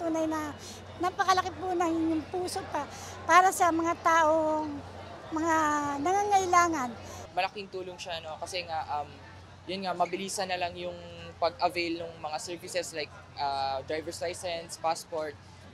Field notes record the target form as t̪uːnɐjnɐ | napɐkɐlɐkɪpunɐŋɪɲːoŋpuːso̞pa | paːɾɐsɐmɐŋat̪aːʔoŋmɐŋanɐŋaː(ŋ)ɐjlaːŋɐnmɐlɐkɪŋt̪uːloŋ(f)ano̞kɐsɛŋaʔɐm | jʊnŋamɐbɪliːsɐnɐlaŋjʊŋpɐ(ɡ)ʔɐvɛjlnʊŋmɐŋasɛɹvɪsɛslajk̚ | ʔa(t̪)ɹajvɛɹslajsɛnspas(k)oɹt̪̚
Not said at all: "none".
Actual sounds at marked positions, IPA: ŋ, ʃ, ɡ, d̪, p

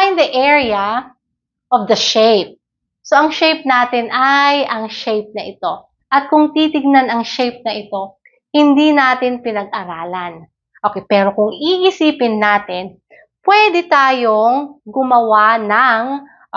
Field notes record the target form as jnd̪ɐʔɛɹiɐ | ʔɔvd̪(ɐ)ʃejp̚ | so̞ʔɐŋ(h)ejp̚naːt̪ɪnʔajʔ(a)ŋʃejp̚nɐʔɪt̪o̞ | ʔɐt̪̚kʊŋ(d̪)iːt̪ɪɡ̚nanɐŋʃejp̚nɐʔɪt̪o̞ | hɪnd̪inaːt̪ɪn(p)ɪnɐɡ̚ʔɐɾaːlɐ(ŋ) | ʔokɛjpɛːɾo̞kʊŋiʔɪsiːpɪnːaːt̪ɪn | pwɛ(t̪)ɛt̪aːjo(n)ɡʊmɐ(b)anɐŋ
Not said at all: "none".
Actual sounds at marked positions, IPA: ɐ, ʃ, ɐ, t̪, p, n, d̪, ŋ, w

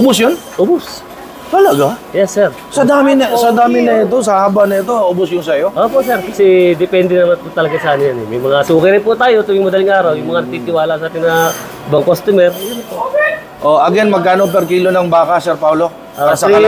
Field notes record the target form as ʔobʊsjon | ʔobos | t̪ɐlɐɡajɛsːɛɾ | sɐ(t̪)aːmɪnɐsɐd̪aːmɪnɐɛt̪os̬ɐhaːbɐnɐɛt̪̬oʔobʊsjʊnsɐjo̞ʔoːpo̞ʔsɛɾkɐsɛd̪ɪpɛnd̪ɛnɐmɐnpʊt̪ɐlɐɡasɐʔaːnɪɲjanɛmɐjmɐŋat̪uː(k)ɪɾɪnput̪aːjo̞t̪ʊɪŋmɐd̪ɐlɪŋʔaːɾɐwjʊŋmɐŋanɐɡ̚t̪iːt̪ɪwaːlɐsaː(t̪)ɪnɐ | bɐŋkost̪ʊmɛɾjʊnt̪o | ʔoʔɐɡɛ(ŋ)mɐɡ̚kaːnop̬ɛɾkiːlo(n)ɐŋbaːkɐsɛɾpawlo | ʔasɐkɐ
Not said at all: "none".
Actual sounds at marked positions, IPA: d̪, k, t̪, n, n

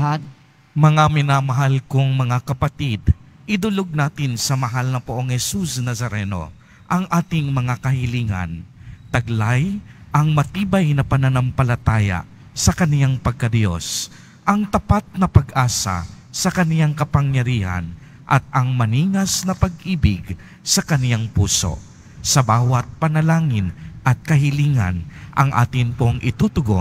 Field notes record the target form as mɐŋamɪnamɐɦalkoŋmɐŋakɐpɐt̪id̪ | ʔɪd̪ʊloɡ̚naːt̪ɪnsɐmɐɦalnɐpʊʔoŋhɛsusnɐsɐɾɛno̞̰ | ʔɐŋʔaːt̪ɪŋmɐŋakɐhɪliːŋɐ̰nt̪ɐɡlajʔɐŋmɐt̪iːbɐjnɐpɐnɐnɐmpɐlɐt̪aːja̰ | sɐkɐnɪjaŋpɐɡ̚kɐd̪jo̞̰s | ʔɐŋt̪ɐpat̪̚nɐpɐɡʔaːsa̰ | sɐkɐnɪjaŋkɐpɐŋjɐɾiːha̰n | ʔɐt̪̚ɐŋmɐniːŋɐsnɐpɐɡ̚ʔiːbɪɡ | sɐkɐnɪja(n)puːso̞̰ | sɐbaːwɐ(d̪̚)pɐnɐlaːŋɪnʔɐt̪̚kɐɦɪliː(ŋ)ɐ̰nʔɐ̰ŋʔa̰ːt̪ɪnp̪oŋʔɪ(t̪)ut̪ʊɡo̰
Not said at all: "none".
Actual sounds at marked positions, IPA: ŋ, t̪̚, ŋ, t̪

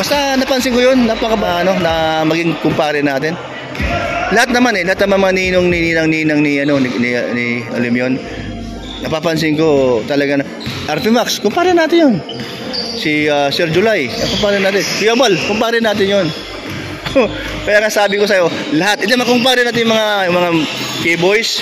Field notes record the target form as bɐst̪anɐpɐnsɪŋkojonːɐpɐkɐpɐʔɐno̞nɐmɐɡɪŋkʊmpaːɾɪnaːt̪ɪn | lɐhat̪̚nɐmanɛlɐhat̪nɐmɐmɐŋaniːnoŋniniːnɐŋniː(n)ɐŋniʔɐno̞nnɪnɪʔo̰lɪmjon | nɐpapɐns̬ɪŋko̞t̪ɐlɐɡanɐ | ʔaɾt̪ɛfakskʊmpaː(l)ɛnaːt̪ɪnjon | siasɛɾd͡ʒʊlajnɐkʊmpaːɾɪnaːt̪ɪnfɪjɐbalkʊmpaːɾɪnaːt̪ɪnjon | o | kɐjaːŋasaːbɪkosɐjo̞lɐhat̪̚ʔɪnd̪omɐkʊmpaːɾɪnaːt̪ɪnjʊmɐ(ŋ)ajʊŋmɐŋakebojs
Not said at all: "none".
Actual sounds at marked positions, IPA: n, ɾ, ŋ

